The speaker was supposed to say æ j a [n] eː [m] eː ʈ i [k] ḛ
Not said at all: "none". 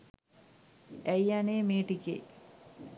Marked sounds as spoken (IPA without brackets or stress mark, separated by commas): n, m, k